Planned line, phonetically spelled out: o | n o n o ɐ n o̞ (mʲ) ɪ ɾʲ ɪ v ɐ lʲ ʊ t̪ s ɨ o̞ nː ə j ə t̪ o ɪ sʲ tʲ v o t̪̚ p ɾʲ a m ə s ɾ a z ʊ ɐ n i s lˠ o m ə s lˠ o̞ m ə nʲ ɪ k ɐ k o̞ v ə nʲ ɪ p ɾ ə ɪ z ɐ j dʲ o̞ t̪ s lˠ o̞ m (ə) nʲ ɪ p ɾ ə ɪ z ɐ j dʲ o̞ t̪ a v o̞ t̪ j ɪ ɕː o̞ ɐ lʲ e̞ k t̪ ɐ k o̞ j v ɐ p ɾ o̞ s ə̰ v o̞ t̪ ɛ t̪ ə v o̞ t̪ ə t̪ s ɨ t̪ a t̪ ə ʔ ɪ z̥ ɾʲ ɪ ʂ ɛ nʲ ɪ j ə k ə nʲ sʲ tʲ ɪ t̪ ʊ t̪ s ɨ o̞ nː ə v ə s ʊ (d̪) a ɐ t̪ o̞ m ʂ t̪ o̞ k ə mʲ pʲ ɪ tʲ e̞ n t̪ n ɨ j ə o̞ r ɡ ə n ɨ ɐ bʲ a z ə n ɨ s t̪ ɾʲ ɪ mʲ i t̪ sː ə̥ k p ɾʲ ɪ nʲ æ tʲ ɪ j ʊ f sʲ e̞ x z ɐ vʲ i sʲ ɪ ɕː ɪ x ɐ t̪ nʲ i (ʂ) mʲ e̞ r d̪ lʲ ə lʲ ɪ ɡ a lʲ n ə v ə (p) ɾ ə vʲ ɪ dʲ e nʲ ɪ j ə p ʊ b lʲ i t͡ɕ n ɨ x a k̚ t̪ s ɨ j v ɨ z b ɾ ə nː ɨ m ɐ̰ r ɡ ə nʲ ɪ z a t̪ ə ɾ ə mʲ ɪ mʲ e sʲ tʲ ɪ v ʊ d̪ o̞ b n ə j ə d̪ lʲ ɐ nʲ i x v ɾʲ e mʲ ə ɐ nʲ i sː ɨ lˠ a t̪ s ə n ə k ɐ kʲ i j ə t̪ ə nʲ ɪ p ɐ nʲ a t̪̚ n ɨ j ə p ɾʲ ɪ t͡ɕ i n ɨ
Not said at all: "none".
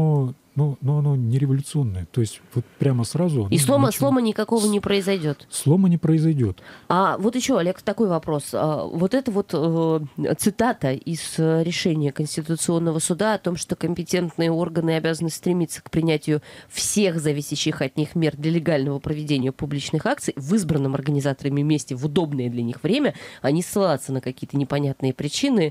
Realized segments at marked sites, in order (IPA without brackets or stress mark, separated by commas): nʲ, ə, d̪, x, p